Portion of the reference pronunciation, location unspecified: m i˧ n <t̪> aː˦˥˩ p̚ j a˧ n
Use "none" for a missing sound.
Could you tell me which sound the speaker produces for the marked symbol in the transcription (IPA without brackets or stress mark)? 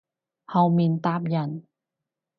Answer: t̪